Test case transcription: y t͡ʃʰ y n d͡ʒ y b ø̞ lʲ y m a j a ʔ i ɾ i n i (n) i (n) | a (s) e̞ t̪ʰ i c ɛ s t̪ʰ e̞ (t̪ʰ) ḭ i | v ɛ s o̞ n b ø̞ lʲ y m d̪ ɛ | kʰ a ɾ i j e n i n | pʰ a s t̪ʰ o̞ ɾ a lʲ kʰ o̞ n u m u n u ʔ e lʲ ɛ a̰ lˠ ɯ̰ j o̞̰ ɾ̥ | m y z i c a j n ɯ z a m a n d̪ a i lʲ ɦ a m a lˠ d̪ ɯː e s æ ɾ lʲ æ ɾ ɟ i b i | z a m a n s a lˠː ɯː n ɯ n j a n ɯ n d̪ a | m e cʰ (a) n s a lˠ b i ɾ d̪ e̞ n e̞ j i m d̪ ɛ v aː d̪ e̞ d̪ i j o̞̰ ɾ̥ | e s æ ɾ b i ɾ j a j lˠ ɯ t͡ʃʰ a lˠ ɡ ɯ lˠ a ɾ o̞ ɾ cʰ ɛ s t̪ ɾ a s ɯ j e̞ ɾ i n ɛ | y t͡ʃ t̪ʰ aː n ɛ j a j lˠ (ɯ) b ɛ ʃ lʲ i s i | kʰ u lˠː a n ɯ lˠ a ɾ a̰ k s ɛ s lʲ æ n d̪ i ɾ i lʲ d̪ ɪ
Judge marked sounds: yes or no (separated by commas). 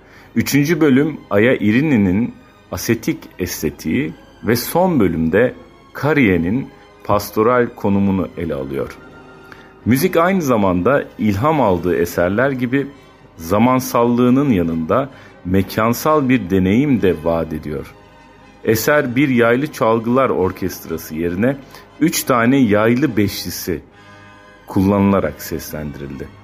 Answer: yes, yes, yes, yes, yes, yes